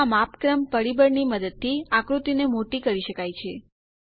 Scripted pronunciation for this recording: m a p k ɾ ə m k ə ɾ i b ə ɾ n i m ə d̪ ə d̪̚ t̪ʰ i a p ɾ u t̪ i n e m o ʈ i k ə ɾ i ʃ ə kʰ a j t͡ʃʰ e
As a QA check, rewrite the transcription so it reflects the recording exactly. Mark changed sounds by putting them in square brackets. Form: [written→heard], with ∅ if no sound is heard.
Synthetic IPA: m a p k ɾ ə m [k→p] ə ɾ i b ə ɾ n i m ə d̪ ə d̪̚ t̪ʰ i a [p→k] ɾ u t̪ i n e m o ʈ i k ə ɾ i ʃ ə [kʰ→k] a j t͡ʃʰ e